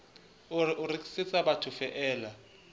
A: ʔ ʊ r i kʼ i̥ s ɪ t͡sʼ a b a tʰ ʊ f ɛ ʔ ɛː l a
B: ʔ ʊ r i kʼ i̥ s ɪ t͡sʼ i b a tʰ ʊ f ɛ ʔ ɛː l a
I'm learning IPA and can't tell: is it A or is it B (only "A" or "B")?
A